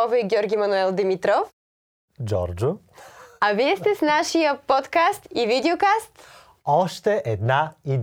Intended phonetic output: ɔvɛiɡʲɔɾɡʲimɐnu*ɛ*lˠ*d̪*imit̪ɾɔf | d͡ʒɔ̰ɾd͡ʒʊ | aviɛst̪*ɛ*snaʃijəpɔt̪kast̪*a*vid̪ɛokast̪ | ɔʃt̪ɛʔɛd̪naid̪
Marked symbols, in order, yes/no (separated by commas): yes, yes, yes, no